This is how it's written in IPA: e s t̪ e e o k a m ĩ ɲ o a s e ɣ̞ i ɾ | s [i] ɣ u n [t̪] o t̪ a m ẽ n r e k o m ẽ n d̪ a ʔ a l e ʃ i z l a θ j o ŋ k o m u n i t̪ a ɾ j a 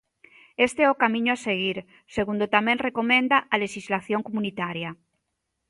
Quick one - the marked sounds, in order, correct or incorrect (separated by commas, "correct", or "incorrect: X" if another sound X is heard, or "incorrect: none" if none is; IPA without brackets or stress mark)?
incorrect: e, incorrect: d̪